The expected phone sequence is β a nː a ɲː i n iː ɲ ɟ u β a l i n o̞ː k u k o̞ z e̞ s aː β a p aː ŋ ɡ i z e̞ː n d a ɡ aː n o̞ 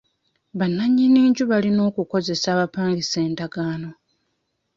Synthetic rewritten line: β a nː a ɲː i n iː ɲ ɟ u β a l i n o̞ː k u k o̞ z e̞ s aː β a p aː ŋ ɡ i s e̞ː n d a ɡ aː n o̞